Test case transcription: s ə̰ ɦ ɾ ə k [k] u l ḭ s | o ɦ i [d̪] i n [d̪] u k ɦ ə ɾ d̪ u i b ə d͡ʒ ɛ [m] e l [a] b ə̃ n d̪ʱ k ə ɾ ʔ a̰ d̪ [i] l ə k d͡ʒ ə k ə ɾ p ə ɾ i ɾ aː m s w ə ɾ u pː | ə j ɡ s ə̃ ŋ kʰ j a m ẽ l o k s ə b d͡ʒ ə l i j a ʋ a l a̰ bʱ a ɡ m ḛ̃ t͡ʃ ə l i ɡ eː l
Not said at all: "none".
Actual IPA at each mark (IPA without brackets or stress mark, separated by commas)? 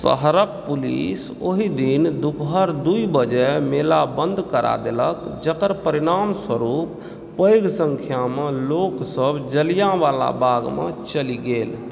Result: p, d̪, d̪, m, a, e